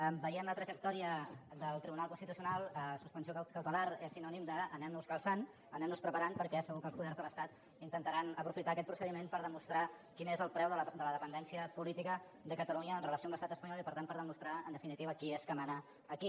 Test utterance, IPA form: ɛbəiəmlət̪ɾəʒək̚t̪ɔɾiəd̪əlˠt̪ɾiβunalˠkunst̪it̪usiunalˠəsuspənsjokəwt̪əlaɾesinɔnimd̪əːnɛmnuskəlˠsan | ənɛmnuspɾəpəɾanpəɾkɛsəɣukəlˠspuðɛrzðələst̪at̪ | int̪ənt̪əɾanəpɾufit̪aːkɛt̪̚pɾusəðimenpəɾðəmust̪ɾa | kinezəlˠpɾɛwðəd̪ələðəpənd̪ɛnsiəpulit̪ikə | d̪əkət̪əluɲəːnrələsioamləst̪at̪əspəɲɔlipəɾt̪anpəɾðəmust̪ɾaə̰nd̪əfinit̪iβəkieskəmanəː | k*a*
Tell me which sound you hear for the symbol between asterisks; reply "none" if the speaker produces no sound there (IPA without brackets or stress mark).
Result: i